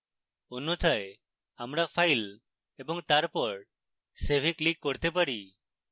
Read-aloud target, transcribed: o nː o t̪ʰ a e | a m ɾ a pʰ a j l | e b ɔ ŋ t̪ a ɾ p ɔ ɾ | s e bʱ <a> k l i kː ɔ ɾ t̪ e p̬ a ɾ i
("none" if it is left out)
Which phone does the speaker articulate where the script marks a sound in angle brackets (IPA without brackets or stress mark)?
i